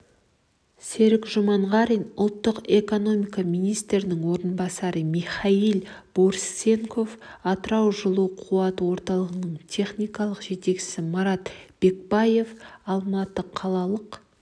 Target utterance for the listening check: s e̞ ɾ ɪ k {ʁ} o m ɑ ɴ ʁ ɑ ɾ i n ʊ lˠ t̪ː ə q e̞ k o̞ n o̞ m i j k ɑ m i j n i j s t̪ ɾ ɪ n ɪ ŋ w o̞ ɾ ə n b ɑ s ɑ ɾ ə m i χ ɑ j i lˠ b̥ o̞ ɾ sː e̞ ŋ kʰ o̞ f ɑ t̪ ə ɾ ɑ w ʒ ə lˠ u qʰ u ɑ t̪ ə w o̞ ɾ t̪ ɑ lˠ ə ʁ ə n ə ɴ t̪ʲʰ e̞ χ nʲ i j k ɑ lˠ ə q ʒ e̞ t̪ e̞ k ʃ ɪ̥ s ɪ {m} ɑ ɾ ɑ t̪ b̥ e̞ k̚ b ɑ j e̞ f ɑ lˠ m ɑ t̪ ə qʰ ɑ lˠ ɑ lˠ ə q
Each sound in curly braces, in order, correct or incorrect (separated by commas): incorrect, correct